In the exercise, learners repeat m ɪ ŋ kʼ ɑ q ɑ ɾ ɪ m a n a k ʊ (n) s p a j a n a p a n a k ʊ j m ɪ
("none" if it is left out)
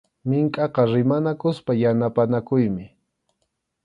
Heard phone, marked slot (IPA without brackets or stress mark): none